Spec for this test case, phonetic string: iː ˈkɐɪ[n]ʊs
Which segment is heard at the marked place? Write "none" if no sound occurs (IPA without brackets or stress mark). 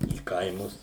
m